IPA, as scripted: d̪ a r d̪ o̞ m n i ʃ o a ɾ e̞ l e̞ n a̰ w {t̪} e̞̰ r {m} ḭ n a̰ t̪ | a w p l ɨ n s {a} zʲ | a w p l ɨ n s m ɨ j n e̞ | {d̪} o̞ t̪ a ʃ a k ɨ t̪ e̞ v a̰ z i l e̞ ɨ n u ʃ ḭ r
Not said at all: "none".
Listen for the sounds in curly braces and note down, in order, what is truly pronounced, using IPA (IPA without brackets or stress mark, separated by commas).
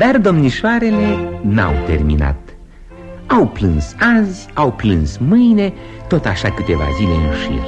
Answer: t̪, m, a, t̪